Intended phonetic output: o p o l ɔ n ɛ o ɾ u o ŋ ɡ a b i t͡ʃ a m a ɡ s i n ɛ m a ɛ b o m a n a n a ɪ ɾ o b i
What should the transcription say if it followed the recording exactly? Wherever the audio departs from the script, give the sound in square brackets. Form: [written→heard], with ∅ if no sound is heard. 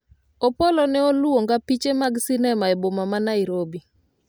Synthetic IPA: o p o l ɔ n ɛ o [ɾ→l] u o ŋ ɡ a [b→p] i t͡ʃ [a→e] m a ɡ s i n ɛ m a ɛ b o m a [n→m] a n a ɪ ɾ o b i